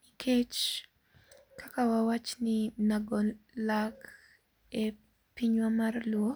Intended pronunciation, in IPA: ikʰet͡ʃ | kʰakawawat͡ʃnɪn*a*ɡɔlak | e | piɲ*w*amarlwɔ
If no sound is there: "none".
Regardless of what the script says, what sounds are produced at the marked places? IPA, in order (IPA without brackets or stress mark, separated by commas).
a, w